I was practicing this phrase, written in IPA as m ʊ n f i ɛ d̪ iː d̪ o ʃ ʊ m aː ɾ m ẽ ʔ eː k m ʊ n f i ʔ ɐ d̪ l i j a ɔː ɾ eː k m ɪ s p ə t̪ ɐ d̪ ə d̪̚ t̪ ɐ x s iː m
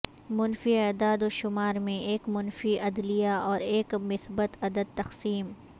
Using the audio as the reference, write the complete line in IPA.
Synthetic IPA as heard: m ʊ n f i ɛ d̪ aː d̪ o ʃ ʊ m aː ɾ m ẽ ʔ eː k m ʊ n f i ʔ ɐ d̪ l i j a ɔː ɾ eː k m ɪ s b ə t̪ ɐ d̪ ə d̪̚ t̪ ɐ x s iː m